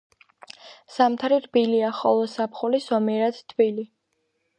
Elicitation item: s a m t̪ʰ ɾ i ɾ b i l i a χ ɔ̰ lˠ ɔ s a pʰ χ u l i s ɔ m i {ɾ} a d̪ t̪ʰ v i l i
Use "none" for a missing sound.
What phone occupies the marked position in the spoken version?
ɾ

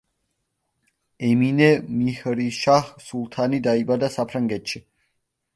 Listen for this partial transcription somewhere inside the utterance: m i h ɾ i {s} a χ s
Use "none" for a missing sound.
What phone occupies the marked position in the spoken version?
ʃ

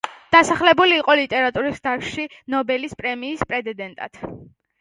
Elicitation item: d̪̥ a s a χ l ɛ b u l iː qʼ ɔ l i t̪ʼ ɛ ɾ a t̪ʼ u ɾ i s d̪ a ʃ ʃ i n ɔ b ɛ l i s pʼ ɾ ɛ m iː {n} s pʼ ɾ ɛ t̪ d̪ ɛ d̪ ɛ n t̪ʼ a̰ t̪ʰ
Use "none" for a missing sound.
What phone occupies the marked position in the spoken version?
none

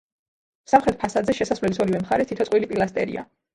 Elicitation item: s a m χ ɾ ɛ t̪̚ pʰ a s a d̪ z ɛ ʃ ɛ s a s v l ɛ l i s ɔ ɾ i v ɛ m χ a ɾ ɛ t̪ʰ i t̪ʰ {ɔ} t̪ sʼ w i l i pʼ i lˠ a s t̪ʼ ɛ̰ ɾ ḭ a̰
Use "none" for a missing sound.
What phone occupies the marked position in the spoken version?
ɔ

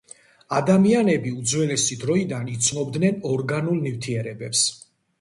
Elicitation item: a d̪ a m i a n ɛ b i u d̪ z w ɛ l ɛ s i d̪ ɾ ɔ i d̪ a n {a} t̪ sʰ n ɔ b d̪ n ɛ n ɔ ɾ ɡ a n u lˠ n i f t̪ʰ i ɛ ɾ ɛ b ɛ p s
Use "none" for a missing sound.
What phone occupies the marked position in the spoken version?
i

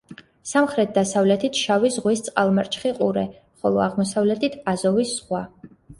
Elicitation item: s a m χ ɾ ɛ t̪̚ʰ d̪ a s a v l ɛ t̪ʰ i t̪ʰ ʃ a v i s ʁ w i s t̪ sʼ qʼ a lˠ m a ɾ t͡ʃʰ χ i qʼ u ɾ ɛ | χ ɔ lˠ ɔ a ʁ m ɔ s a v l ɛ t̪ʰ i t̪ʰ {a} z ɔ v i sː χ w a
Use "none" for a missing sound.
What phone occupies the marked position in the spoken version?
a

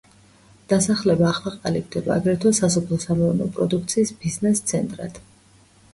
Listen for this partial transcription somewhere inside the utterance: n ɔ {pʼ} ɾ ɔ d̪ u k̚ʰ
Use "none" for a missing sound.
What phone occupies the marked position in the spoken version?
pʼ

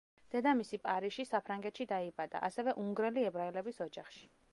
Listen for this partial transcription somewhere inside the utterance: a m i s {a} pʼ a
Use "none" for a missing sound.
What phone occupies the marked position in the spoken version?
i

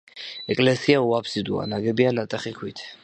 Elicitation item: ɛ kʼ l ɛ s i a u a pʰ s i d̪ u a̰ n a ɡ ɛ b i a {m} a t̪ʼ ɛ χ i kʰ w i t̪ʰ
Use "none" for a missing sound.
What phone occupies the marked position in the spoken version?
n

